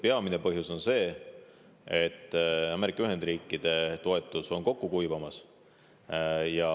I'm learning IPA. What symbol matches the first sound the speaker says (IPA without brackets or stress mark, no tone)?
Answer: p